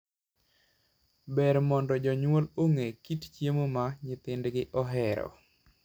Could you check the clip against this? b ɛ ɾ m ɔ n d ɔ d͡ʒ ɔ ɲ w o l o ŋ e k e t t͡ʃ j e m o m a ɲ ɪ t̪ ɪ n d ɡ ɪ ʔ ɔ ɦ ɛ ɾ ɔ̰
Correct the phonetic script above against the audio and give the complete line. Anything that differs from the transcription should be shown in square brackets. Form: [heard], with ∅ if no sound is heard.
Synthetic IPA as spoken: b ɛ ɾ m ɔ n d ɔ d͡ʒ ɔ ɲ w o l o ŋ e k [i] t t͡ʃ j e m o m a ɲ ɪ t̪ ɪ n d ɡ ɪ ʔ ɔ ɦ ɛ ɾ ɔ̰